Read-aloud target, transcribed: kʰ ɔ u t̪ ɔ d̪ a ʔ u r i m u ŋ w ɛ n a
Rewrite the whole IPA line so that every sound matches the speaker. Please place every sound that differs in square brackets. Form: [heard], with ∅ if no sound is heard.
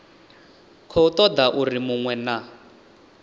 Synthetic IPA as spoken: kʰ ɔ u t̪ ɔ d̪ a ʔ u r i m u ŋ w ɛ n a